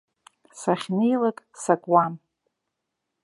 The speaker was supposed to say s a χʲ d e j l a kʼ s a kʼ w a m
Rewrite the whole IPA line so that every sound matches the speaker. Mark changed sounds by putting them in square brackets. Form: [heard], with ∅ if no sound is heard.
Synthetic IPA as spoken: s a χʲ [n] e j l a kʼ s a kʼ w a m